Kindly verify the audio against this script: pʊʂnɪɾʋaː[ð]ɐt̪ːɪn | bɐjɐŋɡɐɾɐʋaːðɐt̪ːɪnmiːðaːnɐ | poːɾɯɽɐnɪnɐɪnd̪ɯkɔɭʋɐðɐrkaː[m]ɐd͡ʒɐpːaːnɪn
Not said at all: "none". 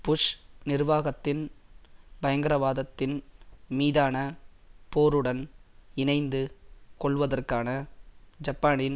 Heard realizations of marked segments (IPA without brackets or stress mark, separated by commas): ɣ, n